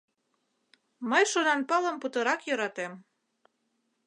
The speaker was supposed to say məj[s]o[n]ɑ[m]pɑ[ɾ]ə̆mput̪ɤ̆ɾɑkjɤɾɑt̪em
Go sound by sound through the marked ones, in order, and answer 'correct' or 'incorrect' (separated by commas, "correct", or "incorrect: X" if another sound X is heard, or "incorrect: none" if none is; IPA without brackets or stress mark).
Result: incorrect: ʃ, correct, incorrect: n, incorrect: l